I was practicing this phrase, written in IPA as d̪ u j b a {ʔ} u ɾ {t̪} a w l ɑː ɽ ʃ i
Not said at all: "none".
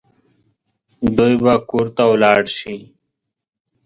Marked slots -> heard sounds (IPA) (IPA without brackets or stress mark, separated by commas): k, t̪